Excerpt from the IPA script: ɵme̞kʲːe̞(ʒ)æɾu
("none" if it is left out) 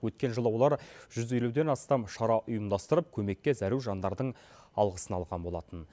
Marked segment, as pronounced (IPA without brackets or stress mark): z